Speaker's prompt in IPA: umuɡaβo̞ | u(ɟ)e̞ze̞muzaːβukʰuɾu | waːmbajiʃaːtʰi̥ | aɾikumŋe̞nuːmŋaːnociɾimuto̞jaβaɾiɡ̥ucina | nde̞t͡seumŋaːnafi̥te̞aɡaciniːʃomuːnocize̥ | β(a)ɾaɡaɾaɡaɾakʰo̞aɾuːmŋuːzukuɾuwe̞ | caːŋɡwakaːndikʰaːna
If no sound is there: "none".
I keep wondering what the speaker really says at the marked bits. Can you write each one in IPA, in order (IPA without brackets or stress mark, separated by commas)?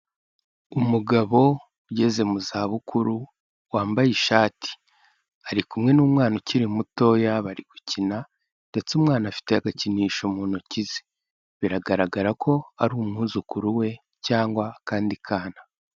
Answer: ɟ, i